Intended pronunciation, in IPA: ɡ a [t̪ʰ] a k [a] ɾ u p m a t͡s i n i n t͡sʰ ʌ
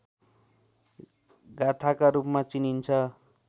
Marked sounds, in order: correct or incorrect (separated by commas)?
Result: correct, correct